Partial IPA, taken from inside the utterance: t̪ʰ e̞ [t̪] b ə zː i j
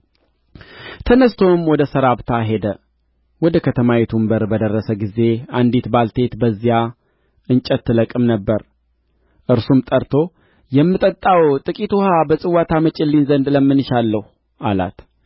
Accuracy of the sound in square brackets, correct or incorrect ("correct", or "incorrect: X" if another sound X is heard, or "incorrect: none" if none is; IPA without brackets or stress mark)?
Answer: correct